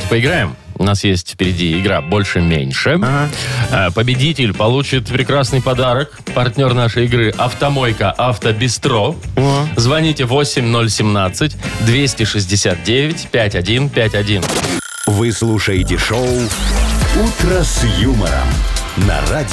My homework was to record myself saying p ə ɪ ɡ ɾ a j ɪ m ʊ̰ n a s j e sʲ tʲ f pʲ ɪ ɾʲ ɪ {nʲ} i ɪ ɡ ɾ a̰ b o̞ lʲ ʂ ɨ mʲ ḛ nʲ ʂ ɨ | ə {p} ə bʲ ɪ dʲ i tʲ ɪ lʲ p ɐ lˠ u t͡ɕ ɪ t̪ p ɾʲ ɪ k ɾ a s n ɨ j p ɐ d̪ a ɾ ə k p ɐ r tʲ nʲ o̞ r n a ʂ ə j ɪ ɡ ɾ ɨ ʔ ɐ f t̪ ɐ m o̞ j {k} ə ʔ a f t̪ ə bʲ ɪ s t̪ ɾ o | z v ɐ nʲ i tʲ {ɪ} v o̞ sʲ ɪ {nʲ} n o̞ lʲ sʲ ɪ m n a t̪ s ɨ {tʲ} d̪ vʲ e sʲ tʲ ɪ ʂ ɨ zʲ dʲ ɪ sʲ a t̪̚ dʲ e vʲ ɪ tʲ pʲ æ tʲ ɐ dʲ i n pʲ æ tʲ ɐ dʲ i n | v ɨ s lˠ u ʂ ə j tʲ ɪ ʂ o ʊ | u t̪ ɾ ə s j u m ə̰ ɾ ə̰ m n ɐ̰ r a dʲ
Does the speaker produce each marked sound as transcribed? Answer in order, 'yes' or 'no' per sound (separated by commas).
no, yes, yes, yes, no, yes